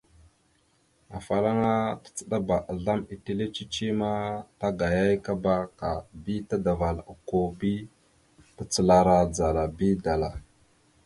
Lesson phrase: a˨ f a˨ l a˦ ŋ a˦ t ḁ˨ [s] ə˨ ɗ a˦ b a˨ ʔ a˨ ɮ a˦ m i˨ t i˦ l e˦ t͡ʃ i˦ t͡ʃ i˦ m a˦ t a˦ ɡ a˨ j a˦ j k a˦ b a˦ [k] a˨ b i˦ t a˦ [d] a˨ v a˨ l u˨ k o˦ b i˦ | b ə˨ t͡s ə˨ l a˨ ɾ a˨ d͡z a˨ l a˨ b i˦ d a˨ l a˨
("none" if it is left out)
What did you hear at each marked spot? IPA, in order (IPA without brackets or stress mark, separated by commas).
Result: t͡s, k, d